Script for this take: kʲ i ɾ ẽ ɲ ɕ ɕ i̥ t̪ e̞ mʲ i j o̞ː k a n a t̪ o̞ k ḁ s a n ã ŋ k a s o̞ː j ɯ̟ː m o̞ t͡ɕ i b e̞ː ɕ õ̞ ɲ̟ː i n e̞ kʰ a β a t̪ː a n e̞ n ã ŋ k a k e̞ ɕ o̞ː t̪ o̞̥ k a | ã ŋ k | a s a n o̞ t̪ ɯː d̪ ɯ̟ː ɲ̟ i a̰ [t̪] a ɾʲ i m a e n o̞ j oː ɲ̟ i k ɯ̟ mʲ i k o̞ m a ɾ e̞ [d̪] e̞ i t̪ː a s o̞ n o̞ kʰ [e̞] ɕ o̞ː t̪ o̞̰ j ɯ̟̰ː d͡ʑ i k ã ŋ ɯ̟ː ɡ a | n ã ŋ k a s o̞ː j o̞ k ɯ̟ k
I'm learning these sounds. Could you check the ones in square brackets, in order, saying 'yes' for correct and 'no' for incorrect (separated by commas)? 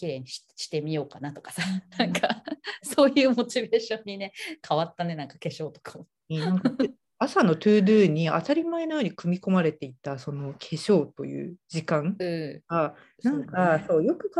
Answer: yes, no, yes